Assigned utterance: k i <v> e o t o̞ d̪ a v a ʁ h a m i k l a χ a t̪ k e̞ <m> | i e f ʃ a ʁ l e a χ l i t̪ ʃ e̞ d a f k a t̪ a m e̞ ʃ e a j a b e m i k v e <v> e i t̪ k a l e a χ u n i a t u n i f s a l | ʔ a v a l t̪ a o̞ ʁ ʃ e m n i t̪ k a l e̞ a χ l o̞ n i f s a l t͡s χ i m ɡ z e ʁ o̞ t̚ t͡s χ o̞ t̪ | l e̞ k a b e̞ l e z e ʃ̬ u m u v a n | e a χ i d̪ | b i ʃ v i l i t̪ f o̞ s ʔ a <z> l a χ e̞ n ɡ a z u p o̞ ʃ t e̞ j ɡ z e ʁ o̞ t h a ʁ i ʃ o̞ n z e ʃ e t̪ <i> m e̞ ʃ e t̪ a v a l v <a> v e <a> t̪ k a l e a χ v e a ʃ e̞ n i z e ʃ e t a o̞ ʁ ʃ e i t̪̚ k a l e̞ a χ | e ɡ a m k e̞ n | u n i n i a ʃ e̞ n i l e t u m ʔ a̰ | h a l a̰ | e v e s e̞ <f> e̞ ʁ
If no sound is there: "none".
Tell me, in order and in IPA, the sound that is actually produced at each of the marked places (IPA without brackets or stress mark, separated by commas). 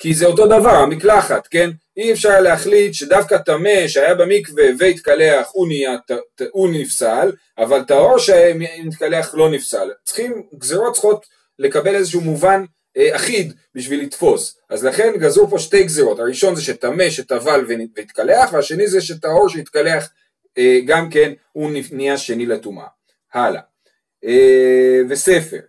z, n, v, z, a, e, i, f